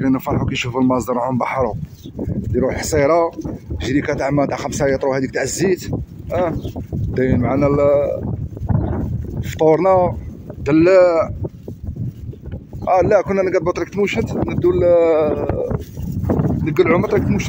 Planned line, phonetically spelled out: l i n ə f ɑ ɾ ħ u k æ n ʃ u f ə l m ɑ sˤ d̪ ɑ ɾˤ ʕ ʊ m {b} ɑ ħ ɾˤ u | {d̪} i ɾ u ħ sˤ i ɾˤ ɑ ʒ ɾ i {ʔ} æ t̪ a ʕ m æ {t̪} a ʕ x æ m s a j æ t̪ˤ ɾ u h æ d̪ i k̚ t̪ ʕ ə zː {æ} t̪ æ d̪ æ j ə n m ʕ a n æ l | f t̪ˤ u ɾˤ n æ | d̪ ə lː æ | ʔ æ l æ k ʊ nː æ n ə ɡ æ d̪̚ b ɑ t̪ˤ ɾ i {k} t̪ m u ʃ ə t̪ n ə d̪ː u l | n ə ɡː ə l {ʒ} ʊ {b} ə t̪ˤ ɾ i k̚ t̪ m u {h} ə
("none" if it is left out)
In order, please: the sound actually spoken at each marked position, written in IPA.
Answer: b, d̪, k, t̪, i, k, ʕ, m, ʃ

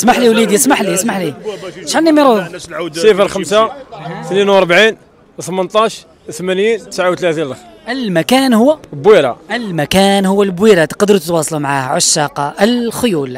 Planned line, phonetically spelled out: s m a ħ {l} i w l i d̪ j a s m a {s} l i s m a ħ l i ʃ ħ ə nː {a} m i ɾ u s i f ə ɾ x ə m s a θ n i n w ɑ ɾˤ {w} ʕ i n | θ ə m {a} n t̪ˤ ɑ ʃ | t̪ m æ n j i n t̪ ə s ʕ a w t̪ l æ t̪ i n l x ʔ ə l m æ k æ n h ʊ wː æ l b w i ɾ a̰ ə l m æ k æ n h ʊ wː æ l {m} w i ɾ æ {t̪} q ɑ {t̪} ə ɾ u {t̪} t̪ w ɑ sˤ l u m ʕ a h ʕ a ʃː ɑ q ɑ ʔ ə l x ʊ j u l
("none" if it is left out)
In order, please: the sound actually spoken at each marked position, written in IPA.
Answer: l, ħ, i, b, ə, b, t̪, d̪, t̪

